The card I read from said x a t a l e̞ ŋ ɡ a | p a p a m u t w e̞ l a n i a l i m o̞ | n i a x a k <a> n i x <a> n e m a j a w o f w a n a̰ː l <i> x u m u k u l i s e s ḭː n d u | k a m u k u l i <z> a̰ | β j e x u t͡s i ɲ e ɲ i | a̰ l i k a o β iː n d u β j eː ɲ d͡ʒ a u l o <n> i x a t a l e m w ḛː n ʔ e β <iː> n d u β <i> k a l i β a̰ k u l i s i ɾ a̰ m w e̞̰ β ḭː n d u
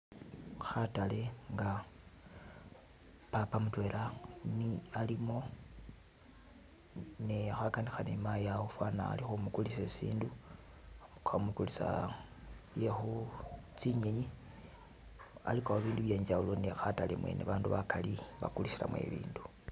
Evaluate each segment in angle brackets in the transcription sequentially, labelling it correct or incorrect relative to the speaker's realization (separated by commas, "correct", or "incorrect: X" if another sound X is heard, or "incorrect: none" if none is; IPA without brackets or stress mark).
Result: correct, correct, correct, incorrect: s, correct, incorrect: aː, incorrect: a